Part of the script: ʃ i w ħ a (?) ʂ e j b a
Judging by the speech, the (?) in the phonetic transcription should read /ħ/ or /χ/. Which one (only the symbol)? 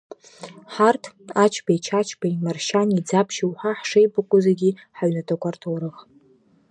ħ